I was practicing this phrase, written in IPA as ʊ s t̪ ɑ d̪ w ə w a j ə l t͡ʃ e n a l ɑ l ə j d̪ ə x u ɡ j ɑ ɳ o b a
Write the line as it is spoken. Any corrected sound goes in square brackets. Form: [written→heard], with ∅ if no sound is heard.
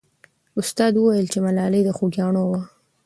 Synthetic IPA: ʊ s t̪ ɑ d̪ w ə w a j ə l t͡ʃ e [n→m] a l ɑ l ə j d̪ ə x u ɡ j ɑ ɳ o [b→w] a